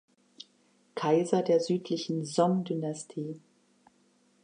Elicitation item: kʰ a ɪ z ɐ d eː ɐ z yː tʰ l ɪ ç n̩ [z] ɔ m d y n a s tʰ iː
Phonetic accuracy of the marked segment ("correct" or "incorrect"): correct